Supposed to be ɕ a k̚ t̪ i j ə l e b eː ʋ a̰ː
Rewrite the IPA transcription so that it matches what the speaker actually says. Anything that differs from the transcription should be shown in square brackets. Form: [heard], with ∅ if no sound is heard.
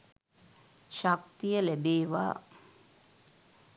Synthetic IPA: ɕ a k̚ t̪ i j ə l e b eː ʋ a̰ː

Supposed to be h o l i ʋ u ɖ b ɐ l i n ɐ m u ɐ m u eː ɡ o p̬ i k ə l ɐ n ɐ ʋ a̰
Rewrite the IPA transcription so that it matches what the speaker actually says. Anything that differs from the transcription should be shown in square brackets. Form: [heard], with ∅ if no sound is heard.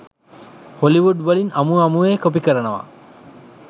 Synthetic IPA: h o l i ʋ u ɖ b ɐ l i n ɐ m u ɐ m u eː [k] o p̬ i k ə [ɾ] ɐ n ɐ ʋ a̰

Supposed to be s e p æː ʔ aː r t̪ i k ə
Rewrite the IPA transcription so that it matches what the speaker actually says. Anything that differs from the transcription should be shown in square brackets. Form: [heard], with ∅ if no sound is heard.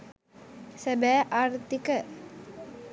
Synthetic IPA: s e [b] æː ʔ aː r t̪ i k ə

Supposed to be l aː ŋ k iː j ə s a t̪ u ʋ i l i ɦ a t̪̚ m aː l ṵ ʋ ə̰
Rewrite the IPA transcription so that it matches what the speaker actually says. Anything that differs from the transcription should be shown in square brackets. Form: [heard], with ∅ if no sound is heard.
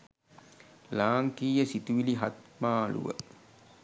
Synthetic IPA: l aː ŋ k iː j ə s [i] t̪ u ʋ i l i ɦ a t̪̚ m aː l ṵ ʋ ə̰

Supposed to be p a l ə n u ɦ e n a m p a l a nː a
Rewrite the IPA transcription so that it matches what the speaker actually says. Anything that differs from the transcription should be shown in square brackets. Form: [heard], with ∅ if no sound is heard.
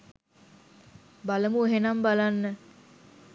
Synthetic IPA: [b] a l ə [m] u ɦ e n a m [b] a l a nː [ə]

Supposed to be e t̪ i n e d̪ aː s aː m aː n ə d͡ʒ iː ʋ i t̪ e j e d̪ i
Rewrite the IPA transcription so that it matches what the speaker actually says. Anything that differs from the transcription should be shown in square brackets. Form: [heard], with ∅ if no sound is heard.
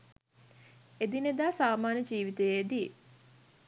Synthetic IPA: e [d̪] i n e d̪ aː s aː m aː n ə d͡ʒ iː ʋ i t̪ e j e d̪ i

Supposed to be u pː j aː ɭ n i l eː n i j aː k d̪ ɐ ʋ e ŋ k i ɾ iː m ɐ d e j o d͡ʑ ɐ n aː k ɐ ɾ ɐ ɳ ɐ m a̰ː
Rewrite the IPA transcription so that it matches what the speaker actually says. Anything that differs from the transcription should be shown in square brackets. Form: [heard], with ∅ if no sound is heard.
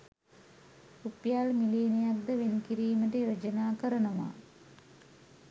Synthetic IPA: u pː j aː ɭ [m] i l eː n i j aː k d̪ ɐ ʋ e [n] k i ɾ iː m ɐ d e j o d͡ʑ ɐ n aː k ɐ ɾ ɐ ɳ ɐ m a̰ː

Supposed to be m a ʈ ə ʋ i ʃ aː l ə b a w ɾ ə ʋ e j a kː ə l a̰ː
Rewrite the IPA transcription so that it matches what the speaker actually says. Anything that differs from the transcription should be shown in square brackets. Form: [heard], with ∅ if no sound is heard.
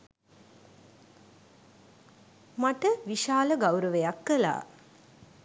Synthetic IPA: m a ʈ ə ʋ i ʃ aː l ə [ɡ] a w ɾ ə ʋ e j a kː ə l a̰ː

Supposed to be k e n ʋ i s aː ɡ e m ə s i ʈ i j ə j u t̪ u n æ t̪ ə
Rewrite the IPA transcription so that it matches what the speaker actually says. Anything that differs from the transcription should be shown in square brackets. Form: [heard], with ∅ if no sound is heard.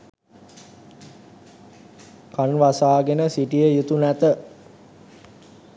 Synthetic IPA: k [a] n ʋ [a] s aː ɡ e [n] ə s i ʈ i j ə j u t̪ u n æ t̪ ə

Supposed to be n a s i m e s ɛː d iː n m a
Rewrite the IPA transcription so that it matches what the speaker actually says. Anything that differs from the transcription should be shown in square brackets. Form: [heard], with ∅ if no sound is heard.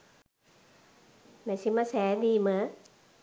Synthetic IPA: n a s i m [a] s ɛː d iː [∅] m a

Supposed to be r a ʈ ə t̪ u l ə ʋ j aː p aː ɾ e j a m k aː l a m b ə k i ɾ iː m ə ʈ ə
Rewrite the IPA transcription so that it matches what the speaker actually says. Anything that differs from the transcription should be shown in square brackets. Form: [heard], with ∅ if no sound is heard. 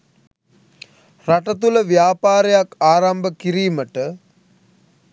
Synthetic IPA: r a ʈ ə t̪ u l ə ʋ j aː p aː ɾ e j a [∅] k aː [ɾ] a m b ə k i ɾ iː m ə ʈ ə

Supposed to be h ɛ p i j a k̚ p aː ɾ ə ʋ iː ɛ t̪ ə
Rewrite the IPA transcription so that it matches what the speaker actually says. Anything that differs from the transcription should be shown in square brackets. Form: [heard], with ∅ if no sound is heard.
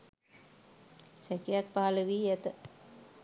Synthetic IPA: [s] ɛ [k] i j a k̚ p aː [l] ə ʋ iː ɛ t̪ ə

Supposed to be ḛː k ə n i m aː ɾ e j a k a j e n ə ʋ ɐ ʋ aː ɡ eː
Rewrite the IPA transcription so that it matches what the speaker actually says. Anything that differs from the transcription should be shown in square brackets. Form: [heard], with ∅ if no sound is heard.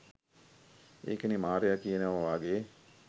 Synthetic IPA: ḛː k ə n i m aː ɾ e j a k [i] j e n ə ʋ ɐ ʋ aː ɡ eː

